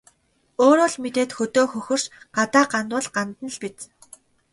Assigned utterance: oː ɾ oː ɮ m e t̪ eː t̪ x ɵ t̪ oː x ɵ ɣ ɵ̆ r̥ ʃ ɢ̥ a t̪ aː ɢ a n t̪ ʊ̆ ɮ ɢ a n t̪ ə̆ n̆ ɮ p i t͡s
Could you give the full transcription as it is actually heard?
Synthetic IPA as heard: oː ɾ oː ɮ m e t̪ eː t̪ x ɵ t̪ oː x ɵ x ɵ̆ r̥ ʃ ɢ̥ a t̪ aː ɢ a n t̪ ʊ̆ ɮ ɢ a n t̪ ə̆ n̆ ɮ p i t͡s